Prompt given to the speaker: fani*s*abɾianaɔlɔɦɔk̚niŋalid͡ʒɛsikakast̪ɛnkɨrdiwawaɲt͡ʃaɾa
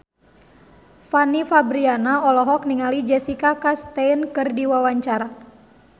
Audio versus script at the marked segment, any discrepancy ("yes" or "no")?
yes